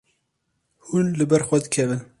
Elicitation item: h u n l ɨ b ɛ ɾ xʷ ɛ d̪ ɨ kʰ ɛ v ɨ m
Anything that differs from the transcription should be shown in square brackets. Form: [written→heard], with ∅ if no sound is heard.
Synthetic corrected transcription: h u n l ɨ b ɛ ɾ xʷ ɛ d̪ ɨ kʰ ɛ v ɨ [m→n]